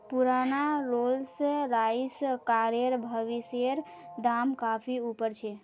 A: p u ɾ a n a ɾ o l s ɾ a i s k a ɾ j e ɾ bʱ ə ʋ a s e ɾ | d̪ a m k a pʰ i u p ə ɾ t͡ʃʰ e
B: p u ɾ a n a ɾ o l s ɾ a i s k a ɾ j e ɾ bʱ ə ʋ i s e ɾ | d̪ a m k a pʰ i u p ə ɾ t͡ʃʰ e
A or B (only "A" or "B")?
B